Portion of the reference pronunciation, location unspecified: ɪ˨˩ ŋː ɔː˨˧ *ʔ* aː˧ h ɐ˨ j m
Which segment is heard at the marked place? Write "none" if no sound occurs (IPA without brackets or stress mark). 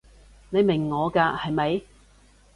k